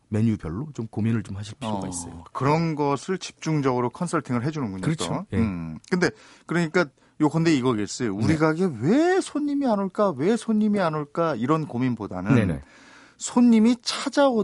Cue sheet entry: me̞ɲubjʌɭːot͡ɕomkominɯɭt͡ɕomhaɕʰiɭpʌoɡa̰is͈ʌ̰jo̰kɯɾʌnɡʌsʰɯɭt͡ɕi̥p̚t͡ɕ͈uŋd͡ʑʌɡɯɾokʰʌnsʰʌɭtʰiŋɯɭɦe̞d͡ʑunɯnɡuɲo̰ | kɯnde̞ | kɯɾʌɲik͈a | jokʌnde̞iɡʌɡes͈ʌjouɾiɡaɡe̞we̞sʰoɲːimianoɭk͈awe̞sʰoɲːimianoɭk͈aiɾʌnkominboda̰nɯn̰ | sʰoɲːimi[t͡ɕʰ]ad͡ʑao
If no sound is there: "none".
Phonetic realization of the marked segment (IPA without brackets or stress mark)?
t͡ɕʰ